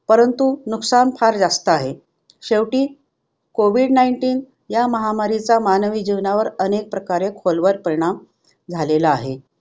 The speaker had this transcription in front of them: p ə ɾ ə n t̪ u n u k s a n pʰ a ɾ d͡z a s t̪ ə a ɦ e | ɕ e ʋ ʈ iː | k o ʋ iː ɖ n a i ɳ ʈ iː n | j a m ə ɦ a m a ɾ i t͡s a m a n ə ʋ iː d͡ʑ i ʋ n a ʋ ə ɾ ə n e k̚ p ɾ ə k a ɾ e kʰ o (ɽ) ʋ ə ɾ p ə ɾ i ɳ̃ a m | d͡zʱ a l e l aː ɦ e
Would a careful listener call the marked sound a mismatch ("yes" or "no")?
yes